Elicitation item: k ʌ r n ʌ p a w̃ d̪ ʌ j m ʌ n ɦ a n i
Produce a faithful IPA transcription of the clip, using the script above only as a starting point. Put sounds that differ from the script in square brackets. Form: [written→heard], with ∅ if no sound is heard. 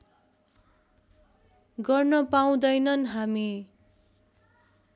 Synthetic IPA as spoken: [k→ɡ] ʌ r n ʌ p a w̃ d̪ ʌ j [m→n] ʌ n ɦ a [n→m] i